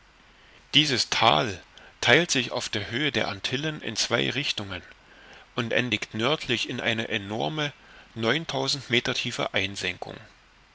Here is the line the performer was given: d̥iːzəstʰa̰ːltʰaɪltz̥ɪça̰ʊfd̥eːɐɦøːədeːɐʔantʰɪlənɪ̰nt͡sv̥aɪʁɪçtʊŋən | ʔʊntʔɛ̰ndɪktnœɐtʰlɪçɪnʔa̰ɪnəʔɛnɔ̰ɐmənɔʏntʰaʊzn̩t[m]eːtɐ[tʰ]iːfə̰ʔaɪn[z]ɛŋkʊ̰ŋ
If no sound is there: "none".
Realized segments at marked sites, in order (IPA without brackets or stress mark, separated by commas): m, tʰ, z